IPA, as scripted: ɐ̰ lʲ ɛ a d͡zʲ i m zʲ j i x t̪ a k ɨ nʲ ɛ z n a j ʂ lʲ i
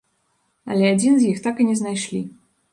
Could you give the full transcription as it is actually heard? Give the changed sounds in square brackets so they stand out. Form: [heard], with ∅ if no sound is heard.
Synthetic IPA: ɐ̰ lʲ ɛ a d͡zʲ i [n] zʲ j i x t̪ a k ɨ nʲ ɛ z n a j ʂ lʲ i